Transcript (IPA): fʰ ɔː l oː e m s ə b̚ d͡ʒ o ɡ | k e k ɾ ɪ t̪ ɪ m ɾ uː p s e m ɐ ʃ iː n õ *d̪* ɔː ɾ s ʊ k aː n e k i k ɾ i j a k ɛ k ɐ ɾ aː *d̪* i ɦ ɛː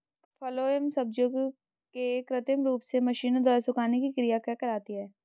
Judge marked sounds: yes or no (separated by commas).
yes, no